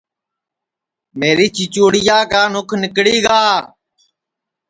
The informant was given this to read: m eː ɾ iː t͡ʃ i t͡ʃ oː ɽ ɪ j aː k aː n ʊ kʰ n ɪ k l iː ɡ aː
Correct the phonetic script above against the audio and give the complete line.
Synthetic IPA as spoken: m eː ɾ iː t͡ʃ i t͡ʃ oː ɽ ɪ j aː k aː n ʊ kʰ n ɪ k ɽ iː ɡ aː